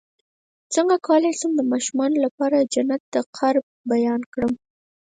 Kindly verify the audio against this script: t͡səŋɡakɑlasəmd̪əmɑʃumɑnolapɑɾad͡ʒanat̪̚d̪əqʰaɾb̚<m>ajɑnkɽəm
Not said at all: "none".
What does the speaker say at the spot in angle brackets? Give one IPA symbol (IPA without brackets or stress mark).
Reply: b